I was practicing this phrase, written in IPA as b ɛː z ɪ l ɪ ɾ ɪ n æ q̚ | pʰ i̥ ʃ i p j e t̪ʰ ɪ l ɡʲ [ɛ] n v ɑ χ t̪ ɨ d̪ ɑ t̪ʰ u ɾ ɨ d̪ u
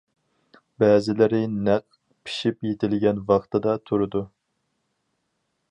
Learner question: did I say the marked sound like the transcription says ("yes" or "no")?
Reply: yes